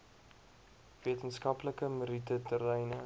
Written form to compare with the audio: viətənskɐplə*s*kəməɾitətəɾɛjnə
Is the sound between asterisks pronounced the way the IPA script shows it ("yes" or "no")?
no